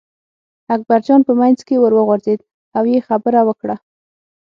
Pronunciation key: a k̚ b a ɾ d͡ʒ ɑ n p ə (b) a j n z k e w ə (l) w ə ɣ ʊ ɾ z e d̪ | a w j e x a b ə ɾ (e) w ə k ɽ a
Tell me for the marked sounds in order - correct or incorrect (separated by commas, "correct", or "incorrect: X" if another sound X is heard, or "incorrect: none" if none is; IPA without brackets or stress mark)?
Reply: incorrect: m, incorrect: ɾ, incorrect: a